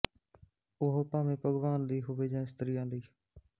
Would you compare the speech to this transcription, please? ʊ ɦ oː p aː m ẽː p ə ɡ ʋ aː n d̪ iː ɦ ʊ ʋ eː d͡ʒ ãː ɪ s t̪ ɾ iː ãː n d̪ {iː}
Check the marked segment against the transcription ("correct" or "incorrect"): correct